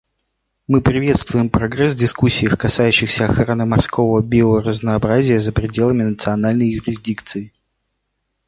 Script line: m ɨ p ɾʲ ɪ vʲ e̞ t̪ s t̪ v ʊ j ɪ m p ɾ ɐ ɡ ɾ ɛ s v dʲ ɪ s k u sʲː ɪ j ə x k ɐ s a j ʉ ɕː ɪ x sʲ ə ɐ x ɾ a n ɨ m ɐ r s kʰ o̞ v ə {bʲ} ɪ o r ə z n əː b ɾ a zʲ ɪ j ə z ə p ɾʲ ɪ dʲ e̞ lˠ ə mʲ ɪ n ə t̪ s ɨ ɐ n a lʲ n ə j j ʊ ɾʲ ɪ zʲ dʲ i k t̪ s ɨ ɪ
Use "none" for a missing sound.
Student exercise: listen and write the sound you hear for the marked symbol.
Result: bʲ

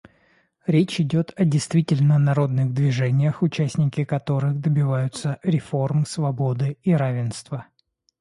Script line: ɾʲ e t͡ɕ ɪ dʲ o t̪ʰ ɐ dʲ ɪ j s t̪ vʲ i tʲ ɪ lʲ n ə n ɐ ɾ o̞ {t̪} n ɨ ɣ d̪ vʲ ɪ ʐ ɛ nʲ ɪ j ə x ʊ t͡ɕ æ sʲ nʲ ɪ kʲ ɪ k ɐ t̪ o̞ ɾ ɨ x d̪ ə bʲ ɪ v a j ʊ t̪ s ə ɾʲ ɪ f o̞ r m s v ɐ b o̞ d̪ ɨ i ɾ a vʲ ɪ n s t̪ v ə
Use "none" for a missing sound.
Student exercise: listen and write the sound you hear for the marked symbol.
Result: d̪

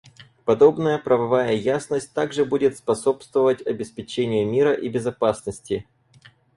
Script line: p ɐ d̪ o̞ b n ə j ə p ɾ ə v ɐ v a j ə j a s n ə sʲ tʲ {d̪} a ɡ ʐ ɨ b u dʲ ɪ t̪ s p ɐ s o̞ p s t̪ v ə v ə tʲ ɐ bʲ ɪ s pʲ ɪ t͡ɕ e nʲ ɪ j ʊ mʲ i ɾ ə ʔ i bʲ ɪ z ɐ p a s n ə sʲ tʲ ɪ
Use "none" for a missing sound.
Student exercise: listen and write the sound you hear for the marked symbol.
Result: t̪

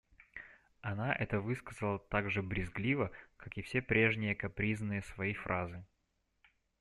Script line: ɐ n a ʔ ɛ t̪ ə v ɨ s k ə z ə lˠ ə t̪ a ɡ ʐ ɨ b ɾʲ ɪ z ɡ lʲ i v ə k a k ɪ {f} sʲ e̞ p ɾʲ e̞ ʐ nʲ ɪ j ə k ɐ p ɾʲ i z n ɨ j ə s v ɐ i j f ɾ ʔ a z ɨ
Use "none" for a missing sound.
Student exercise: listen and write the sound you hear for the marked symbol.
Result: f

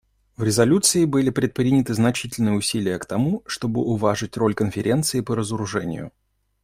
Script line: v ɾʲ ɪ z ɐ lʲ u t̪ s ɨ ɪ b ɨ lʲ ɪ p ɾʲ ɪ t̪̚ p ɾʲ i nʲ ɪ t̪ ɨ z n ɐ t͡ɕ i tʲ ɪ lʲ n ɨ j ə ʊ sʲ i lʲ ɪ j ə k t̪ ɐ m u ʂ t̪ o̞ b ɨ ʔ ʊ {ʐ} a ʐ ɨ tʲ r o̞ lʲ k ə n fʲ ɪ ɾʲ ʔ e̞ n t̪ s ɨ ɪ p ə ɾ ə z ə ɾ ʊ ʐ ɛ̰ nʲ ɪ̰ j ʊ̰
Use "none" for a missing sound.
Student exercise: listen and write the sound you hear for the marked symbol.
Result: v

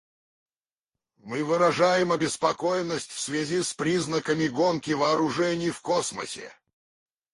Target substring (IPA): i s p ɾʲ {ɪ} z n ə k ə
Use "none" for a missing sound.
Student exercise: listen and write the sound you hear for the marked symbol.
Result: i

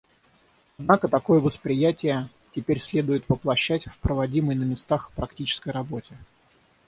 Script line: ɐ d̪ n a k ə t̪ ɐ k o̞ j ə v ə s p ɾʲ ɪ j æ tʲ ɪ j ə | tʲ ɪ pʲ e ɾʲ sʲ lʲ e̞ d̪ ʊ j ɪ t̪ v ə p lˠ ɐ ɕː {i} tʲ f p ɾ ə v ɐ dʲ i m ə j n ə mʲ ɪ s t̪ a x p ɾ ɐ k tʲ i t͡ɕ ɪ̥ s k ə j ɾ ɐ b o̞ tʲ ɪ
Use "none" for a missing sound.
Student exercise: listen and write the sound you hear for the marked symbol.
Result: æ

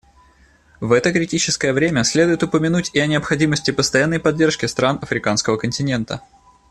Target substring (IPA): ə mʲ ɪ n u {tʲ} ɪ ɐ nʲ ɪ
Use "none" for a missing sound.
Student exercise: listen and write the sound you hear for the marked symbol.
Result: tʲ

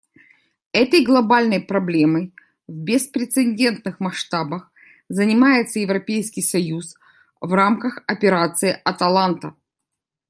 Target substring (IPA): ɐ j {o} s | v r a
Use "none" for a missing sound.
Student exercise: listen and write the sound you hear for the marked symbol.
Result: u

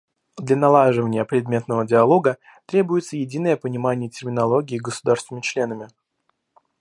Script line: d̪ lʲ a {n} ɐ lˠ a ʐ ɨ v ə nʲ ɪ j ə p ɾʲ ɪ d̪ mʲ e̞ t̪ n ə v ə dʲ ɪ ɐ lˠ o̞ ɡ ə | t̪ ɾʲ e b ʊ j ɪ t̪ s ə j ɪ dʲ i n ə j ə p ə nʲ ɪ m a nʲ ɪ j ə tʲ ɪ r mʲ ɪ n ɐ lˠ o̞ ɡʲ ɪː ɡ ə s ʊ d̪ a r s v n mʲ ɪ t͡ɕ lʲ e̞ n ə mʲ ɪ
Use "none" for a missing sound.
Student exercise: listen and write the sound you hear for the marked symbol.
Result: n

